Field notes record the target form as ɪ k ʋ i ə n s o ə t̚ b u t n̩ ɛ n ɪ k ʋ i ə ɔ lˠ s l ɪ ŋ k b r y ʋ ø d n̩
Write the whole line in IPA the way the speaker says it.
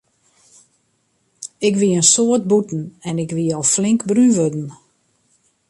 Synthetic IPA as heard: ɪ k ʋ i ə n s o ə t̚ b u t n̩ ɛ n ɪ k ʋ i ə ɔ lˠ f l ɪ ŋ k b r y ʋ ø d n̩